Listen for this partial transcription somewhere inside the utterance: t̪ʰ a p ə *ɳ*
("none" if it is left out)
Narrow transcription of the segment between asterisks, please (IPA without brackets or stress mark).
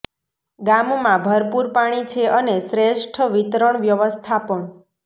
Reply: ɳ